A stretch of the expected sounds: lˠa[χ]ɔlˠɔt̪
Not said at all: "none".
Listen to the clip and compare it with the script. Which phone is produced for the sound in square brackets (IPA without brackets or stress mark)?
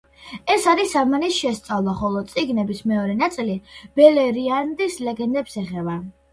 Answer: χ